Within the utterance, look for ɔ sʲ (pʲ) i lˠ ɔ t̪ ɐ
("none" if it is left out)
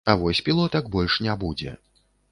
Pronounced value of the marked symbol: pʲ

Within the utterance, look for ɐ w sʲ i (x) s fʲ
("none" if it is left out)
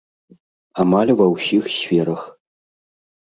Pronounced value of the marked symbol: x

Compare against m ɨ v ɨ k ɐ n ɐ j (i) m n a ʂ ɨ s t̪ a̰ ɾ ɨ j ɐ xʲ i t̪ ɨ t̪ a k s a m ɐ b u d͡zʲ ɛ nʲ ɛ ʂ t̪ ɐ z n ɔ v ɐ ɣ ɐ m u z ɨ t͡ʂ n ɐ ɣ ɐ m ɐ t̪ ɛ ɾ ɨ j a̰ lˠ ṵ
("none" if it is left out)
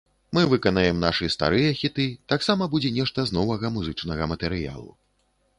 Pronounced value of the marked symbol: ɛ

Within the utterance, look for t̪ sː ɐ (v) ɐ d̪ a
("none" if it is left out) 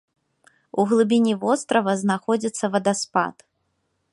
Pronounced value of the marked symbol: v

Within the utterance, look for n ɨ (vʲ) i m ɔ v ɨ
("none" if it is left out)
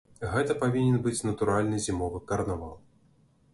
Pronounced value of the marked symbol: zʲ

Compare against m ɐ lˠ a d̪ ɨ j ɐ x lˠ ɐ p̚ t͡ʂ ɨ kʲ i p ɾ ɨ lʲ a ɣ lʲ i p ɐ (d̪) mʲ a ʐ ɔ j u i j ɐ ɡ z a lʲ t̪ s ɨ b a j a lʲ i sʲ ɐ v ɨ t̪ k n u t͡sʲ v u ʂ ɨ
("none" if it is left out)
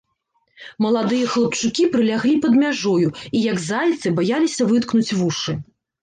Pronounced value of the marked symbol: d̪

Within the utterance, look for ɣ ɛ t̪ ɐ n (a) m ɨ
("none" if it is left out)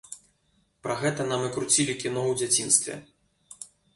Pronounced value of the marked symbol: a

